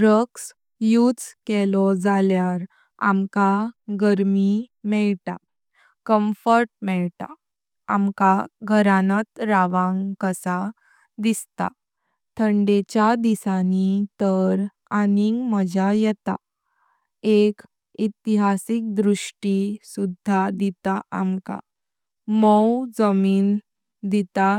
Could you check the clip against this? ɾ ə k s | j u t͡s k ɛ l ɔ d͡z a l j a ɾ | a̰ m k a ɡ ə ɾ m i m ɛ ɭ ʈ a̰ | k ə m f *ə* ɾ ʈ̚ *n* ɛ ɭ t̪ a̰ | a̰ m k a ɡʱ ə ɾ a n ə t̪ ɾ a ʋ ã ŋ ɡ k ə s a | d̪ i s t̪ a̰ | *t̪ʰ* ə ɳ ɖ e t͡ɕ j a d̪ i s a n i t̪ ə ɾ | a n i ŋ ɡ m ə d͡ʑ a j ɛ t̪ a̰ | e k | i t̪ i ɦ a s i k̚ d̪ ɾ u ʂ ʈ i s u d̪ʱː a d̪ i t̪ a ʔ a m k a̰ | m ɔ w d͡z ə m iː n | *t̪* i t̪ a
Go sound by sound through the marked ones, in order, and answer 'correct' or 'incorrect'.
correct, incorrect: m, correct, incorrect: d̪

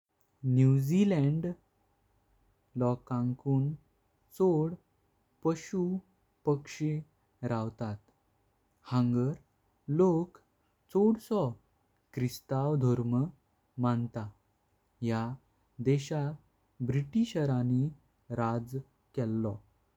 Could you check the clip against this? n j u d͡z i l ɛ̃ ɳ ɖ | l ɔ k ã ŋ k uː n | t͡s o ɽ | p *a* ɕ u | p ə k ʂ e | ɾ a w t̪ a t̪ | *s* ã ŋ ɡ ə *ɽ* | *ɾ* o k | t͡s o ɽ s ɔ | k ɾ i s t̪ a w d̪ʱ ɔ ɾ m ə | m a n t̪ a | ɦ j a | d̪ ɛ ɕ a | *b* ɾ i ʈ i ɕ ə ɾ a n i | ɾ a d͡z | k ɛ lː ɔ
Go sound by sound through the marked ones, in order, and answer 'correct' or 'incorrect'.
incorrect: ə, incorrect: h, incorrect: ɾ, incorrect: l, correct

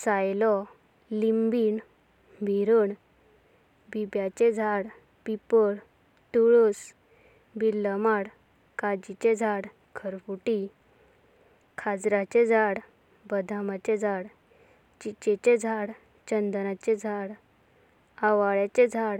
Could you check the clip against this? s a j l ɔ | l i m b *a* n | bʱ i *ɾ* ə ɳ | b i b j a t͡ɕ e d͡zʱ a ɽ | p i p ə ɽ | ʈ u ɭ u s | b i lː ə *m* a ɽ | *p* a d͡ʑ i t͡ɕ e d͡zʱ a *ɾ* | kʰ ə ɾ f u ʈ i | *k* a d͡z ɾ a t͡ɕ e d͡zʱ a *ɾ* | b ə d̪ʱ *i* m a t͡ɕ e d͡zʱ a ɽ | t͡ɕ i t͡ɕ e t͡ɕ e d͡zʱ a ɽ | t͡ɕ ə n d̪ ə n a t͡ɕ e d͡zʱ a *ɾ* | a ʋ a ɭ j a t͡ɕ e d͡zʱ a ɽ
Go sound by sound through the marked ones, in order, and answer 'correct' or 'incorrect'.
incorrect: i, correct, correct, incorrect: k, incorrect: ɽ, incorrect: kʰ, incorrect: ɽ, incorrect: a, incorrect: ɽ

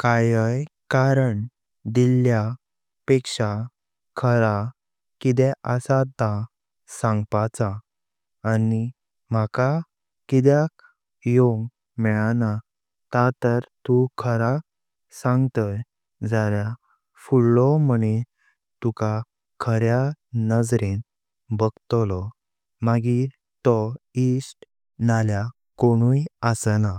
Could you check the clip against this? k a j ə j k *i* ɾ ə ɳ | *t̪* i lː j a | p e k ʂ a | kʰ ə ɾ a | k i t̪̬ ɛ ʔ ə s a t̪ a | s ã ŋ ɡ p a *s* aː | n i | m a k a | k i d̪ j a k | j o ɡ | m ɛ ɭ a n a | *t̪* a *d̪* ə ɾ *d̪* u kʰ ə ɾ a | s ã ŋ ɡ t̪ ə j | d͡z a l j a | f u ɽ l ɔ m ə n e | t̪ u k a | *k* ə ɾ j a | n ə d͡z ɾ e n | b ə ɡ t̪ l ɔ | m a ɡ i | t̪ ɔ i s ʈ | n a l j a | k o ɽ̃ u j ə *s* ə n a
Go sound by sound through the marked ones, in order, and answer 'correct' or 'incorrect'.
incorrect: a, incorrect: d̪, incorrect: t͡s, correct, incorrect: t̪, incorrect: t̪, incorrect: kʰ, correct

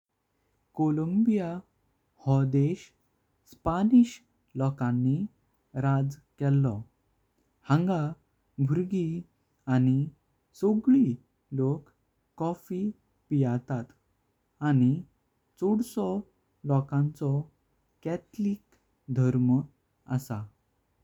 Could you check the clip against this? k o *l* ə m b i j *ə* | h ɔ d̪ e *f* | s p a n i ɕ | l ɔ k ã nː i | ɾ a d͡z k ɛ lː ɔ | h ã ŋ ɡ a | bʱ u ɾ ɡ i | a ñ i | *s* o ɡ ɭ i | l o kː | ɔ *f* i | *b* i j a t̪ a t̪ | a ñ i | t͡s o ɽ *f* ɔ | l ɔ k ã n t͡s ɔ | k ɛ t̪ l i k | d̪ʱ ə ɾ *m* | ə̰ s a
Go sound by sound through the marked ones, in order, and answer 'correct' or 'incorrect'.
correct, incorrect: a, incorrect: ɕ, correct, correct, incorrect: p, incorrect: s, correct

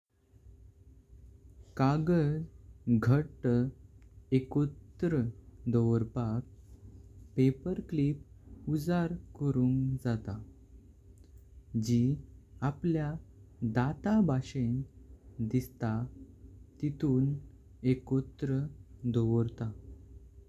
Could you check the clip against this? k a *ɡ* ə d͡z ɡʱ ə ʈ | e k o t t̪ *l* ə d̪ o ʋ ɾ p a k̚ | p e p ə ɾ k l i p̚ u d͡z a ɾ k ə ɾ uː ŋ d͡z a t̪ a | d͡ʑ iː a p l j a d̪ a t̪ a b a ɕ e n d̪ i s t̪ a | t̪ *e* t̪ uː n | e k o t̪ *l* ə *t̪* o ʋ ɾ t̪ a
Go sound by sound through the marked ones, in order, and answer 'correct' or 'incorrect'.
correct, incorrect: ɾ, incorrect: i, incorrect: ɾ, incorrect: d̪

